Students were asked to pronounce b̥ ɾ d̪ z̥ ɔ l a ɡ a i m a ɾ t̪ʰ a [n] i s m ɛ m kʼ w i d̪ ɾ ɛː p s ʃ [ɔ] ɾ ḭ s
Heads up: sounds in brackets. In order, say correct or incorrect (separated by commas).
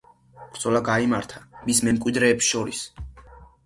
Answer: incorrect, correct